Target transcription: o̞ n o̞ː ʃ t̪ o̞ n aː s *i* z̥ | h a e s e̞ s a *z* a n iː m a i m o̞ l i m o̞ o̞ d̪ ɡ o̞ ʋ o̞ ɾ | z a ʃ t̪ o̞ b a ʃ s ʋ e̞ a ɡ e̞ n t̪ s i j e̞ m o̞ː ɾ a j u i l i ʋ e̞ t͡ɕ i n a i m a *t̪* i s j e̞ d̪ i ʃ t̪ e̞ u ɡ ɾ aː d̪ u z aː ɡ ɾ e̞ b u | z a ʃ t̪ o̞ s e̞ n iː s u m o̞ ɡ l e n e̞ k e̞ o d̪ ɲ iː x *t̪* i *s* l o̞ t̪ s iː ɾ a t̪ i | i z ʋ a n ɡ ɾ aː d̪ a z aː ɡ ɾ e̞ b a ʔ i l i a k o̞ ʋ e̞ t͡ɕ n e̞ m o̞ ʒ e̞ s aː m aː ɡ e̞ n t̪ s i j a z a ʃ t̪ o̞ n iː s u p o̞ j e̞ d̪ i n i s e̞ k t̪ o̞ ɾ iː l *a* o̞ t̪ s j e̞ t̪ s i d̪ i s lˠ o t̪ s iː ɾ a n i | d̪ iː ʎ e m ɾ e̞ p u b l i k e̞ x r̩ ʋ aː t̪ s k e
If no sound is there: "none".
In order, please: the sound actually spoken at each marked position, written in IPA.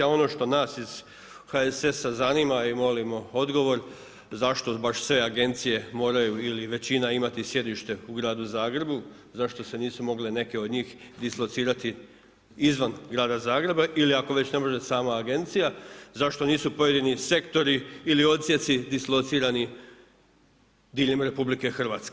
i, z, t̪, d̪, s, i

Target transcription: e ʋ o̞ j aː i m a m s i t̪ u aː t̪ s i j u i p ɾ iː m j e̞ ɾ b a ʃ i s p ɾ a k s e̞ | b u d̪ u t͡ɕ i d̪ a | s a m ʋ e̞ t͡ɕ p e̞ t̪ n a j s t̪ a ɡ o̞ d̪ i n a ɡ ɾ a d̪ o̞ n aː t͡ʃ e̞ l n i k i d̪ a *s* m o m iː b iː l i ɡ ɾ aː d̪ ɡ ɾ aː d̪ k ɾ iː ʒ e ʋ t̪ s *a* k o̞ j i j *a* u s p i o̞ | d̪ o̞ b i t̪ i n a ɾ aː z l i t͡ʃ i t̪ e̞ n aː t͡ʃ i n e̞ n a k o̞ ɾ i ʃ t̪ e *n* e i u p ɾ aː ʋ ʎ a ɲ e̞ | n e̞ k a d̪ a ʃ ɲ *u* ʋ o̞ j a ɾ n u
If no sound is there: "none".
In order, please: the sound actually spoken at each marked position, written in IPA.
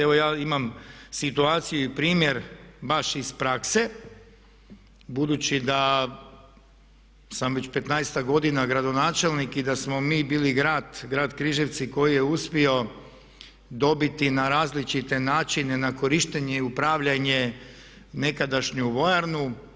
s, i, e, ɲ, u

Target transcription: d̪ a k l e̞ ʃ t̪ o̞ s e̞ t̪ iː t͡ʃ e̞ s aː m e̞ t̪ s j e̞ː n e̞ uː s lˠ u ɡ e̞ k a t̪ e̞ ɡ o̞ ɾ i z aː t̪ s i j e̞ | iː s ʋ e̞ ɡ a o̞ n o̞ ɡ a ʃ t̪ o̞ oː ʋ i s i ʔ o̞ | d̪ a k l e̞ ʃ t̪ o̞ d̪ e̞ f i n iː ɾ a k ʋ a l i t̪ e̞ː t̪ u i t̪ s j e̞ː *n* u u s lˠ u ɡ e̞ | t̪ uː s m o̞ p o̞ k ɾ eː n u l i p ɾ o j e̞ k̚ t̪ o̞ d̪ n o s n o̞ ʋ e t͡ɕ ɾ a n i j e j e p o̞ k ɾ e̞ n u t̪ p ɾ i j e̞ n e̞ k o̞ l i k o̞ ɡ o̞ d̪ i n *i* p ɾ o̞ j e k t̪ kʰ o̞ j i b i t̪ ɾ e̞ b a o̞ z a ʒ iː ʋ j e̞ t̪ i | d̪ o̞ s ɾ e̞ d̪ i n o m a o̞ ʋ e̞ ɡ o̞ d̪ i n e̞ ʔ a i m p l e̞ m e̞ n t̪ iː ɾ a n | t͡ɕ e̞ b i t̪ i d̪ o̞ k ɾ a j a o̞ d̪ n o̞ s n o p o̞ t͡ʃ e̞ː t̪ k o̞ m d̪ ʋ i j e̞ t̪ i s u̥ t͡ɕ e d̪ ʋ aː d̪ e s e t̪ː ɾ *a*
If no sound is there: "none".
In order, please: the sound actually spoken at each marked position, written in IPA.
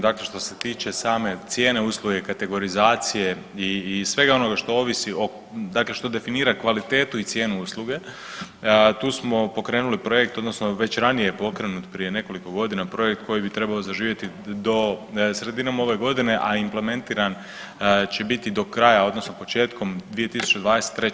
n, a, e

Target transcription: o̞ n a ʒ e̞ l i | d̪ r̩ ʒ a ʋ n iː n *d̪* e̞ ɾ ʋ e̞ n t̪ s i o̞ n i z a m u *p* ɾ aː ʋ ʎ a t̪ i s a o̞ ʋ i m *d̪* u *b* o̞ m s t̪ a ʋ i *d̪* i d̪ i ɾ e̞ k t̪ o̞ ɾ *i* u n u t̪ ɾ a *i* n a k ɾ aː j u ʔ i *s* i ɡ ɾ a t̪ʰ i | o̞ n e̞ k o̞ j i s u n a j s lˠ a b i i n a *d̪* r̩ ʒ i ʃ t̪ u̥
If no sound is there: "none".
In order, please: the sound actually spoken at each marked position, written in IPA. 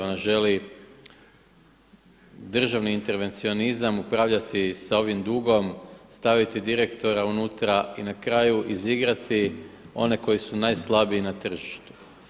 t̪, p, d̪, ɡ, t̪, a, i, z, t̪

